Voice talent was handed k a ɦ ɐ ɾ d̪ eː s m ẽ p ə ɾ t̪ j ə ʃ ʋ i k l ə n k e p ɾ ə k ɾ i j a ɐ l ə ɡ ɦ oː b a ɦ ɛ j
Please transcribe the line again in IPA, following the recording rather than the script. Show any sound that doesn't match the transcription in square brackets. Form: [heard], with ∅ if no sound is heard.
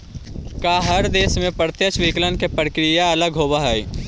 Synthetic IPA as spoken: k a ɦ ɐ ɾ d̪ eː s m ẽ p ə ɾ t̪ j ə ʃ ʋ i k l ə n k e p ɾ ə k ɾ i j a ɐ l ə ɡ ɦ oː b a ɦ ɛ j